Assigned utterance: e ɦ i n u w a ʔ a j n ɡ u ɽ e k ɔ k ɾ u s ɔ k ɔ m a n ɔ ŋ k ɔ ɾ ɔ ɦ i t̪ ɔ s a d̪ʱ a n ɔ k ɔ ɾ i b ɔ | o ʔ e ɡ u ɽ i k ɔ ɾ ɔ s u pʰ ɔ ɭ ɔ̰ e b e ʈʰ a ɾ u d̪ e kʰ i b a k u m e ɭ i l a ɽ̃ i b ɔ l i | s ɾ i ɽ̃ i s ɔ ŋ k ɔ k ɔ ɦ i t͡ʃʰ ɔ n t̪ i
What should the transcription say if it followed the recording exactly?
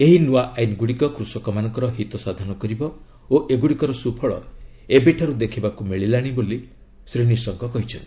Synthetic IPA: e ɦ i n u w a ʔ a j n ɡ u ɽ i k ɔ k ɾ u s ɔ k ɔ m a n ɔ ŋ k ɔ ɾ ɔ ɦ i t̪ ɔ s a d̪ʱ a n ɔ k ɔ ɾ i b ɔ | o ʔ e ɡ u ɽ i k ɔ ɾ ɔ s u pʰ ɔ ɭ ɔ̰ e b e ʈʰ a ɾ u d̪ e kʰ i b a k u m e ɭ i l a ɽ̃ i b o l i | s ɾ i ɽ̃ i s ɔ ŋ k ɔ k ɔ ɦ i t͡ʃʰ ɔ n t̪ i